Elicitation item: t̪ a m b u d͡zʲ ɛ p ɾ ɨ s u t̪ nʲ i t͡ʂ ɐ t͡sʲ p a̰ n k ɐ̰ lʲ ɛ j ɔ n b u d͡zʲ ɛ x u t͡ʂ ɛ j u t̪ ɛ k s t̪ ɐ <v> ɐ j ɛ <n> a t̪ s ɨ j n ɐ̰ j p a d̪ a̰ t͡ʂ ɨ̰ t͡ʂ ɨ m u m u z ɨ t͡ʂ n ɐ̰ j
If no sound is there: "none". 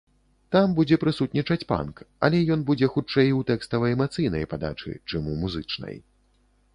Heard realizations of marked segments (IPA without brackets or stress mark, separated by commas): v, m